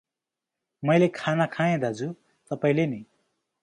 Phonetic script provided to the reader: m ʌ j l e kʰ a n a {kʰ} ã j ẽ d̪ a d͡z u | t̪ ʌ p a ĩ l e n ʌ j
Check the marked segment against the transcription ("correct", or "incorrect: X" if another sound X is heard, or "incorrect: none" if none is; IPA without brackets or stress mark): correct